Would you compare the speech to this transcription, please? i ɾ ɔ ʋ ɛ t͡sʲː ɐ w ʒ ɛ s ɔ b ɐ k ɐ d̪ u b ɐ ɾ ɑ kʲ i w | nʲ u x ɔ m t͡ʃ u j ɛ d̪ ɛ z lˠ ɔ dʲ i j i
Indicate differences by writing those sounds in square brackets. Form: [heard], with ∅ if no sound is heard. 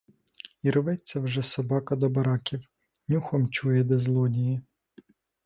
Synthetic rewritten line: i ɾ ɔ ʋ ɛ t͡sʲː ɐ w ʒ ɛ s ɔ b [ɑ] k ɐ d̪ [ɔ] b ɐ ɾ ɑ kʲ i w | nʲ u x ɔ m t͡ʃ u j ɛ d̪ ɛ z lˠ ɔ dʲ i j i

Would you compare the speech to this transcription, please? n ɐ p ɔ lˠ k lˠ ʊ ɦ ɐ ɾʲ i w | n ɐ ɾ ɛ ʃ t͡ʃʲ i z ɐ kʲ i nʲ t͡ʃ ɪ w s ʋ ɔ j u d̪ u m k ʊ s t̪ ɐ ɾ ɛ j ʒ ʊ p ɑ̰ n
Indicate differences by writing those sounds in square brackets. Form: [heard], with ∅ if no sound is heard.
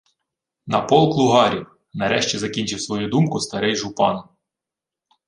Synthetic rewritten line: n ɐ p ɔ lˠ k lˠ ʊ ɦ [ɑ] ɾʲ i w | n ɐ ɾ ɛ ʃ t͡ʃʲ i z ɐ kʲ i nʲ t͡ʃ ɪ w s ʋ ɔ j u d̪ u m k ʊ s t̪ ɐ ɾ ɛ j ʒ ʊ p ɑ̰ n

